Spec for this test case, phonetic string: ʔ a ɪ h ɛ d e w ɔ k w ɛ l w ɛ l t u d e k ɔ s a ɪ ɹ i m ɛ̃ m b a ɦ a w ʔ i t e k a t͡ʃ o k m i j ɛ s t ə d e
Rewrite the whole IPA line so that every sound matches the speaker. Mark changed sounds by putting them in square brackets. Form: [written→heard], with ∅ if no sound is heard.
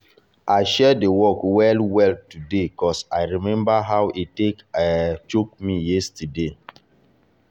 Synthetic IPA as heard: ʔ a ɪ [h→ʃ] ɛ d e w ɔ k w ɛ l w ɛ l t u d e k ɔ s a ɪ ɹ i m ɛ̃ m b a ɦ a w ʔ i t e k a t͡ʃ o k m i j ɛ s t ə d e